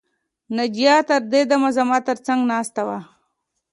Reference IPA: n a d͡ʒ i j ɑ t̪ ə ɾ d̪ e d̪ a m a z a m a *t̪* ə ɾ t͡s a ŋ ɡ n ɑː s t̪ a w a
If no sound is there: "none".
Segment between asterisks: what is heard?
t̪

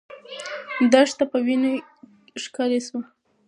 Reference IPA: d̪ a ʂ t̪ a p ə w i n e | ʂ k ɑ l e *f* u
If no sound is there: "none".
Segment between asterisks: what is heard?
s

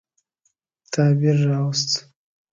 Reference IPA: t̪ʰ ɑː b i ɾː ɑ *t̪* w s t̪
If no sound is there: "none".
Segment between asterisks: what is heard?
none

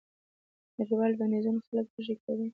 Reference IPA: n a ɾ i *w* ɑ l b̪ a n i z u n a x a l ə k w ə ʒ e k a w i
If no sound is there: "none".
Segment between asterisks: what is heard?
w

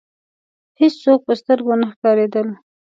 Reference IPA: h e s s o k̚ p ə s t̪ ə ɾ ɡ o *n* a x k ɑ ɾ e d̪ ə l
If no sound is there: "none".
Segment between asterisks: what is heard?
n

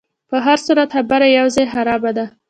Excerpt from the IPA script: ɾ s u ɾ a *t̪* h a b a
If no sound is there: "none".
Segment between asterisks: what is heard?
t̪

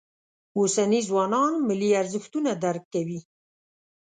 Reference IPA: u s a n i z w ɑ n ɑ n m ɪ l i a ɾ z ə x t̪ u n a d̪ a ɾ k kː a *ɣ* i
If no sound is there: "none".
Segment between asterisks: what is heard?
w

